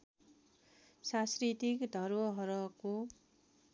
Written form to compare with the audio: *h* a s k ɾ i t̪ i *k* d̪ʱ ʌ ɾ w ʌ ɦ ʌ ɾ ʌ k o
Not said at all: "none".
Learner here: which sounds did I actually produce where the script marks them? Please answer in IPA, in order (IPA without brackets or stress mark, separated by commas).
s, k